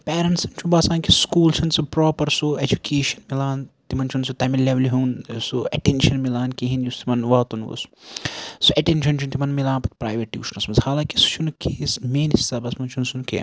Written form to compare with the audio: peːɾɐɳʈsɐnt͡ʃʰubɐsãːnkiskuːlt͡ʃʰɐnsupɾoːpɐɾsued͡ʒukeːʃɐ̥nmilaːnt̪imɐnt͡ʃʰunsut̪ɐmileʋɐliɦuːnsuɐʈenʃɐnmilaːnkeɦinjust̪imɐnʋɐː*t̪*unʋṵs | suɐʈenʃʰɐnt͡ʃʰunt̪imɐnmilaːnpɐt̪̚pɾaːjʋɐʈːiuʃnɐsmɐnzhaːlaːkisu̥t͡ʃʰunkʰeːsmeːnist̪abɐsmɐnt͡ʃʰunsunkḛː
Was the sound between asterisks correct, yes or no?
yes